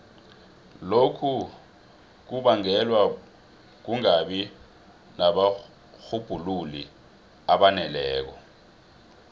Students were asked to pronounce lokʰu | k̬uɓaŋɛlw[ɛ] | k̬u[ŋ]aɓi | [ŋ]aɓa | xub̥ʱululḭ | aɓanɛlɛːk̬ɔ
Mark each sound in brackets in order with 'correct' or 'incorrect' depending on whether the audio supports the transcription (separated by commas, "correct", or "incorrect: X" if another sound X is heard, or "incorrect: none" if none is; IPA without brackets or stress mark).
incorrect: a, correct, incorrect: n